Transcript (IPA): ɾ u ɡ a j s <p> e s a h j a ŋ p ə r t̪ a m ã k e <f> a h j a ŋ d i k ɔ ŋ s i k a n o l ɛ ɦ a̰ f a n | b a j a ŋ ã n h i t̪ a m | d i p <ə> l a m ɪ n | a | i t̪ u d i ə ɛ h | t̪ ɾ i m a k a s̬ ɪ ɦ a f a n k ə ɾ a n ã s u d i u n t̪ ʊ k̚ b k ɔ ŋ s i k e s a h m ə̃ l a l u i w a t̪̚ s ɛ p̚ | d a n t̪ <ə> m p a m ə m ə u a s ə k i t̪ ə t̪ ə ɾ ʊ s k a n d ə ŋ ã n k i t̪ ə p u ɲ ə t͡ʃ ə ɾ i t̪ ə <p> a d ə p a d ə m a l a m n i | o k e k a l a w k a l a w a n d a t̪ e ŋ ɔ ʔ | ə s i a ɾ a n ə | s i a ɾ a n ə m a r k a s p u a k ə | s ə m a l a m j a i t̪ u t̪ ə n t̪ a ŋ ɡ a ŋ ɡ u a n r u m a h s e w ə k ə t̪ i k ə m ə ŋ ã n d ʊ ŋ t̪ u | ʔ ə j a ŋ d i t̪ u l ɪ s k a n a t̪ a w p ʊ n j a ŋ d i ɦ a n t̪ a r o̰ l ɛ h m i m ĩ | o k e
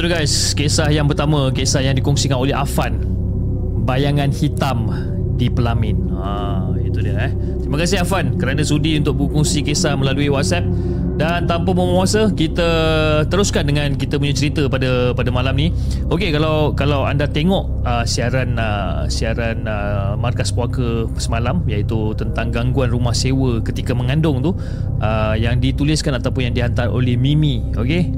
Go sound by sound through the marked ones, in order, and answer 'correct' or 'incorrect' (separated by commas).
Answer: incorrect, incorrect, correct, incorrect, correct